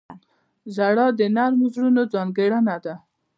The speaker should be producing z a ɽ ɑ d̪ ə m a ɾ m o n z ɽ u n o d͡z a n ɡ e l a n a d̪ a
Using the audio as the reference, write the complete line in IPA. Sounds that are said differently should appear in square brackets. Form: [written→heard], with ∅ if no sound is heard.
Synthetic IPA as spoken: z a ɽ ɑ d̪ ə [m→n] a ɾ m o [n→∅] z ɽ u n o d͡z [a→ɑ] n ɡ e [l→ɽ] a n a d̪ a